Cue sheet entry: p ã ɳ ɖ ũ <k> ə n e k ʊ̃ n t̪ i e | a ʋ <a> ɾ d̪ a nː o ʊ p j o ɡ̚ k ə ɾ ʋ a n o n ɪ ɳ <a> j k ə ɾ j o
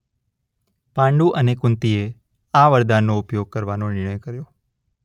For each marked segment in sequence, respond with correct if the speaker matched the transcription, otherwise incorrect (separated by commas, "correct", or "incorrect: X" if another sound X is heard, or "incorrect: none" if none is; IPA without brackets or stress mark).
incorrect: ʔ, incorrect: ə, incorrect: ə